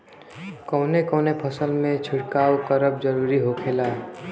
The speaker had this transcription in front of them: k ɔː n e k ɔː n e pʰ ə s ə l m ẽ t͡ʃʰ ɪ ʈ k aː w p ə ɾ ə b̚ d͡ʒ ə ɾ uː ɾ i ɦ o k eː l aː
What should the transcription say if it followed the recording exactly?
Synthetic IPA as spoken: k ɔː n e k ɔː n e pʰ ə s ə l m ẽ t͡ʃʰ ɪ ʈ k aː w k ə ɾ ə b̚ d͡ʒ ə ɾ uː ɾ i ɦ o kʰ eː l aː